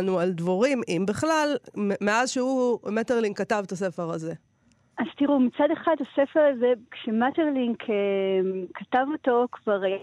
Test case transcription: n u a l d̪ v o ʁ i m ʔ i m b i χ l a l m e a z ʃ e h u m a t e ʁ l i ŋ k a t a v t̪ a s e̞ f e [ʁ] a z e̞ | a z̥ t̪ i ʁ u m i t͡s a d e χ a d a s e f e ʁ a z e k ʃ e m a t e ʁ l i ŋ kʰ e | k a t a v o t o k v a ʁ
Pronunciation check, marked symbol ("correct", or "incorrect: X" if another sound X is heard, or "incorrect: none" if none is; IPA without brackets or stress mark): correct